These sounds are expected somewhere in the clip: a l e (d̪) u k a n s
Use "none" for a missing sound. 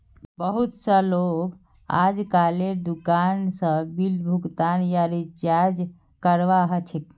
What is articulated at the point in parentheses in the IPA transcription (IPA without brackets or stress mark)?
d̪